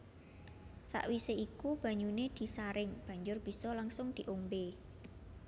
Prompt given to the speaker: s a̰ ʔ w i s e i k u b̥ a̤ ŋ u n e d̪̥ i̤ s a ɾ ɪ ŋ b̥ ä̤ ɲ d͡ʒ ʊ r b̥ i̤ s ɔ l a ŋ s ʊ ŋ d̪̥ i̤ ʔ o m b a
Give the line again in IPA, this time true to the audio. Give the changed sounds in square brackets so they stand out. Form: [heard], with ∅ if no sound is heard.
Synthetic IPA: s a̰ ʔ w i s e i k u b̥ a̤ [ɲ] u n e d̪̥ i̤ s a ɾ ɪ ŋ b̥ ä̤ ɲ d͡ʒ ʊ r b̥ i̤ s ɔ l a ŋ s ʊ ŋ d̪̥ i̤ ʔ o m b [e]